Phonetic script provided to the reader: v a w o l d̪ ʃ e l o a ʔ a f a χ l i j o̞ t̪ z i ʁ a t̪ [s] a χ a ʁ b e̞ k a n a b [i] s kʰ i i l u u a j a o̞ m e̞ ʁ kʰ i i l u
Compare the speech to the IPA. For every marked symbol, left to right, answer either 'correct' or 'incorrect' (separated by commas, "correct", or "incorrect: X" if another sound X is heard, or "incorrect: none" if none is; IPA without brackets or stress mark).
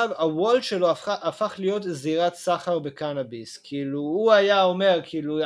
correct, correct